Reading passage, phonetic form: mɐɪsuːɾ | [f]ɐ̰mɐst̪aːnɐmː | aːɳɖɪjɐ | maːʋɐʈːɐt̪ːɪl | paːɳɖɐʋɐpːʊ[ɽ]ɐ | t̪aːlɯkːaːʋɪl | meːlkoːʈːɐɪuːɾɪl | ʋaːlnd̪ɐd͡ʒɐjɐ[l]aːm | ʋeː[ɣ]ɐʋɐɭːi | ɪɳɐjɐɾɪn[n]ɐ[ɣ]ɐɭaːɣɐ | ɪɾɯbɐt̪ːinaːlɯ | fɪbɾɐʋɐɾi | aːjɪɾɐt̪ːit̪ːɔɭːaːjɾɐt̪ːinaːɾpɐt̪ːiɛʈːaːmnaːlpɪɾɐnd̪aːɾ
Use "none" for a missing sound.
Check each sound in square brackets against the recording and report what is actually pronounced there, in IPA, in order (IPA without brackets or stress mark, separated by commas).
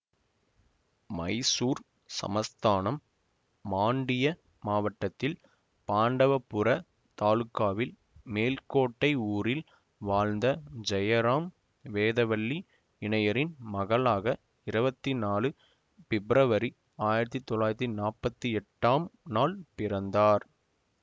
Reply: s, ɾ, ɾ, ð, m, ɣ